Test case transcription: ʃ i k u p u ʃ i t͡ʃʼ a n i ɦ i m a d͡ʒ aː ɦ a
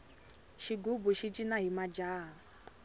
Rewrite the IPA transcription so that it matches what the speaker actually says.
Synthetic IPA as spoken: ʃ i ɡ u b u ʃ i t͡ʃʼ i n a ɦ i m a d͡ʒ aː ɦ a